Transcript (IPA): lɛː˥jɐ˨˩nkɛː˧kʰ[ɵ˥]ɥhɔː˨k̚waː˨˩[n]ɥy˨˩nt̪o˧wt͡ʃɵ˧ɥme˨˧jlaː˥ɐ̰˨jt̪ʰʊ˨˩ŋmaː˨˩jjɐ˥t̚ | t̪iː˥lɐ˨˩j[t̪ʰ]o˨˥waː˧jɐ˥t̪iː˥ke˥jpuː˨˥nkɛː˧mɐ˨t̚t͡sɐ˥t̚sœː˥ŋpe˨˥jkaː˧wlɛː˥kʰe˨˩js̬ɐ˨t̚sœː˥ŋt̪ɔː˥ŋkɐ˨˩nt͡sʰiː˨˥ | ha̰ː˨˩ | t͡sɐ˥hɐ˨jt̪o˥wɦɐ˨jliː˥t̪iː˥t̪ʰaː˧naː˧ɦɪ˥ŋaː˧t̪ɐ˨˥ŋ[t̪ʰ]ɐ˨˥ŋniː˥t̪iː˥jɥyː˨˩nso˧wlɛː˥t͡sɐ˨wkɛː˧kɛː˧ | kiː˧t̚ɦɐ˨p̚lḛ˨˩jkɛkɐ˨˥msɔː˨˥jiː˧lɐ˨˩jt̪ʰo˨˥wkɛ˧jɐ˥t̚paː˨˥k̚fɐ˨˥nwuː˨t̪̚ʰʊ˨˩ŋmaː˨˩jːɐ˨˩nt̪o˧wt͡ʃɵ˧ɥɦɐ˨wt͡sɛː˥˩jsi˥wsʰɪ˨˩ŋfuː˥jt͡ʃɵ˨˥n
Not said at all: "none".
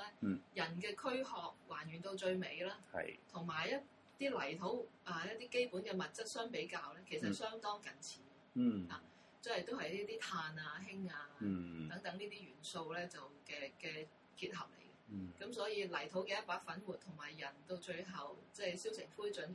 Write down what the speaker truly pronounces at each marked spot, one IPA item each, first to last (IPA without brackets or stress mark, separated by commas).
ɵ˥, n, t̪ʰ, t̪